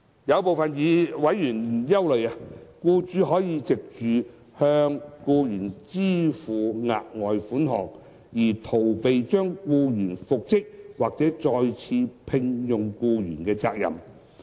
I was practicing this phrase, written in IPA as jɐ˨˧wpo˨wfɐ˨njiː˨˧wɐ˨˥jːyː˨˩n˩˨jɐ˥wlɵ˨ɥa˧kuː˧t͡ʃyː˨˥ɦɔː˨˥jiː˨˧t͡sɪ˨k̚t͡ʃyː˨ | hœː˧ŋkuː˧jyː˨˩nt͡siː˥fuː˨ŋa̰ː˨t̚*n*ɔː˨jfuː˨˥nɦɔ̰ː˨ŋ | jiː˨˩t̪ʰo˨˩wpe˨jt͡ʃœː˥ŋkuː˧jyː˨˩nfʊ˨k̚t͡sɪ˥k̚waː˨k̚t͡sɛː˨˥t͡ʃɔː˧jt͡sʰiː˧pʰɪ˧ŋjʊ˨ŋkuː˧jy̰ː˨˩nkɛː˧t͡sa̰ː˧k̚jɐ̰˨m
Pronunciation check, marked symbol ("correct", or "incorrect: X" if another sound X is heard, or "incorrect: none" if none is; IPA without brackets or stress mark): incorrect: ŋ